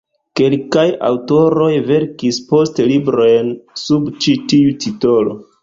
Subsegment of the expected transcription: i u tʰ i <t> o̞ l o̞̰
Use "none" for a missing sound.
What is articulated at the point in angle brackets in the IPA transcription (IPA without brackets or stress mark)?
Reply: t